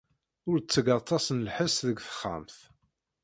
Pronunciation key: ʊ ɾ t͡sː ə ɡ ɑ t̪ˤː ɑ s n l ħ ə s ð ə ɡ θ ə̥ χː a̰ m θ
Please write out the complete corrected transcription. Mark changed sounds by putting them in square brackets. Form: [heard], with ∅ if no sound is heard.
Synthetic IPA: ʊ ɾ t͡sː ə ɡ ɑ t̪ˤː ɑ s n l ħ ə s ð ə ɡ θ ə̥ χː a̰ m θ